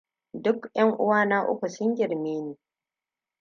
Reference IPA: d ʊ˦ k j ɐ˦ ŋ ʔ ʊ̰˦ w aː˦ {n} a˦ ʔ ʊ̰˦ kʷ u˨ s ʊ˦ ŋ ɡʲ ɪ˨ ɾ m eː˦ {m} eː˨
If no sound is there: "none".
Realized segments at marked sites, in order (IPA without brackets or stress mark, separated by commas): n, n